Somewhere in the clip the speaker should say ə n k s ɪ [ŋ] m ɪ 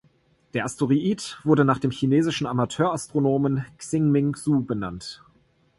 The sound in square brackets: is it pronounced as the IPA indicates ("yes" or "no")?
yes